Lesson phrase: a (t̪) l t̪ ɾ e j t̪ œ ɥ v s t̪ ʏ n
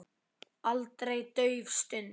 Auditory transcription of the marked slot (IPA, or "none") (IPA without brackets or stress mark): none